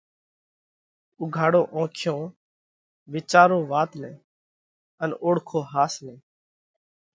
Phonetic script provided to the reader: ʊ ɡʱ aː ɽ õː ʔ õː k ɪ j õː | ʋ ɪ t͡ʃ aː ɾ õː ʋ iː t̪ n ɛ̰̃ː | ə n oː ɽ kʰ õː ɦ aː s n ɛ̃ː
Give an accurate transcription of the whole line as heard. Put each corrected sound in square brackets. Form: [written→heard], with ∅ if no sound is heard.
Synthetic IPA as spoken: ʊ ɡʱ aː ɽ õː ʔ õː [k→kʰ] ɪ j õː | ʋ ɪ t͡ʃ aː ɾ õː ʋ [iː→aː] t̪ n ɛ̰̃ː | ə n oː ɽ kʰ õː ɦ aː s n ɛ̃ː